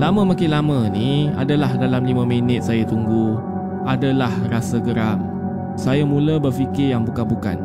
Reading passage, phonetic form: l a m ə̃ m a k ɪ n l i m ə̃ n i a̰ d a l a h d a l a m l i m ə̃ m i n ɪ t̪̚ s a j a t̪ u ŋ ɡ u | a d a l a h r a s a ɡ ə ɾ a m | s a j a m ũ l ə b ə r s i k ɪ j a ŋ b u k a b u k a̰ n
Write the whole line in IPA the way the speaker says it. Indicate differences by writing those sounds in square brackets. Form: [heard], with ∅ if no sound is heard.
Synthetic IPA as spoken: l a m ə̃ m a k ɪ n l [a] m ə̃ n i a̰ d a l a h d a l a m l i m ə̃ m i n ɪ t̪̚ s a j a t̪ u ŋ ɡ u | a d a l a h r a s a ɡ ə ɾ a m | s a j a m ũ l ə b ə r [f] i k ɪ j a ŋ b u k a b u k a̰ n